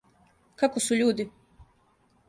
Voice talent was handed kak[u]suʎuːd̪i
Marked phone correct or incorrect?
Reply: incorrect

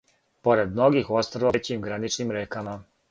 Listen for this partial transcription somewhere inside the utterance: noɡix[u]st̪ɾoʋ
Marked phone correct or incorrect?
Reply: incorrect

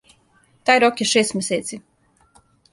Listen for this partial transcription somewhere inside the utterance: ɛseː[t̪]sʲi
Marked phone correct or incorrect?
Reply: correct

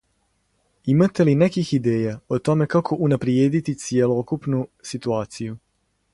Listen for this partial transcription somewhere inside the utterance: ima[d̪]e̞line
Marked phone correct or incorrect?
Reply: incorrect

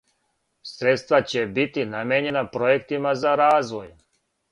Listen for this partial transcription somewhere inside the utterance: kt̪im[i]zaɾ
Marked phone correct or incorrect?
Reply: incorrect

